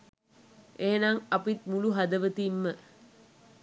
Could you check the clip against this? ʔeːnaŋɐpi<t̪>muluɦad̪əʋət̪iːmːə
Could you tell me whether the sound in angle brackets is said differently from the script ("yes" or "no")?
no